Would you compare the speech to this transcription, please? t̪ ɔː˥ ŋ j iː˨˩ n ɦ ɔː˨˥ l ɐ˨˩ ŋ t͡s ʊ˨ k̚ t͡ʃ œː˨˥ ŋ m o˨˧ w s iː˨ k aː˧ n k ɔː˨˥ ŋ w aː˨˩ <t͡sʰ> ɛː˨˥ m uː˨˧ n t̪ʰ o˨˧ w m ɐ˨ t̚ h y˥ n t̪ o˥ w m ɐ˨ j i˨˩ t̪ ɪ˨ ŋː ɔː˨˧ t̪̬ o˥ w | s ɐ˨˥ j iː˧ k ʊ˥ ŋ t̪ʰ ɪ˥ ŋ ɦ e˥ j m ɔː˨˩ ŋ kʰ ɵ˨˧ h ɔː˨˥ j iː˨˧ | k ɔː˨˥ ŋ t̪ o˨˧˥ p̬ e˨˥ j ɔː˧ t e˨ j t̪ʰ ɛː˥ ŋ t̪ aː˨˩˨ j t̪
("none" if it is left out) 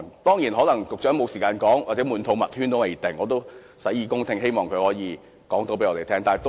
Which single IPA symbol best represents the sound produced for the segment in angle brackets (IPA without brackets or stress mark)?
t͡s